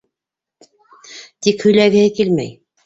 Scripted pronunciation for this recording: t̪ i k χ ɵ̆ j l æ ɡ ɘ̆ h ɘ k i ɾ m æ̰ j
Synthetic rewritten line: t̪ i k h ɵ̆ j l æ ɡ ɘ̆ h ɘ k i l m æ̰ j

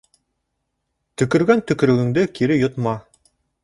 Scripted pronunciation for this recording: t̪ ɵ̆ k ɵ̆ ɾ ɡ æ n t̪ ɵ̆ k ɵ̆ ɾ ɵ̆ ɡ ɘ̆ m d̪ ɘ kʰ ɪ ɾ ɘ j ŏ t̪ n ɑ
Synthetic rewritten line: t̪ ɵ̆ k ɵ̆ ɾ ɡ æ n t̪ ɵ̆ k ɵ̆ ɾ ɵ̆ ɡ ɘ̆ ŋ d̪ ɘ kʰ i ɾ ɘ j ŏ t̪ m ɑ

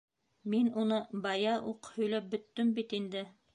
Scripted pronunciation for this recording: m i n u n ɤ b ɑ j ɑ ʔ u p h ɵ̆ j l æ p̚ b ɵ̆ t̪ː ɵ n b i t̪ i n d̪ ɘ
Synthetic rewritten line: m i n u n ɤ b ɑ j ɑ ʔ u q h ɵ̆ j l æ p̚ b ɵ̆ t̪ː ɵ m b i t̪ i n d̪ ɘ

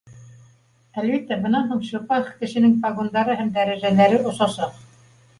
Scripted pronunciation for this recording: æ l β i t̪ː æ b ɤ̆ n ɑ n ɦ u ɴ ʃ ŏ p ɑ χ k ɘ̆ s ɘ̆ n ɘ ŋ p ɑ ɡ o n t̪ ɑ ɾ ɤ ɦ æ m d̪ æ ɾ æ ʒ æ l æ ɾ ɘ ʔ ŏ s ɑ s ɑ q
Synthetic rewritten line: æ l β i t̪ː æ b ɤ̆ n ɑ n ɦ u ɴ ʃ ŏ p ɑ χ k ɘ̆ ʃ ɘ̆ n ɘ ŋ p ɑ ɡ o n d̪ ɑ ɾ ɤ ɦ æ m d̪ æ ɾ æ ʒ æ l æ ɾ ɘ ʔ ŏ s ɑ s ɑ q

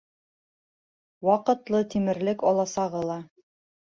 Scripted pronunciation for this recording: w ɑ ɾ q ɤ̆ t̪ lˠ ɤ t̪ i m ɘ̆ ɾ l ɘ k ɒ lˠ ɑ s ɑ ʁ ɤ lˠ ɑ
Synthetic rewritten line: w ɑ q ɤ̆ t̪ lˠ ɤ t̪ i m ɘ̆ ɾ l ɘ k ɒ lˠ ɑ s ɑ ʁ ɤ lˠ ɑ

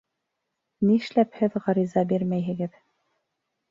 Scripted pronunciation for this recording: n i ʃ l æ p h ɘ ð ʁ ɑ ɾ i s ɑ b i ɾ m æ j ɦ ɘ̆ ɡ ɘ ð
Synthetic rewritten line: n i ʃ l æ p h ɘ ð ʁ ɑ ɾ i z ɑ b i ɾ m æ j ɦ ɘ̆ ɡ ɘ ð

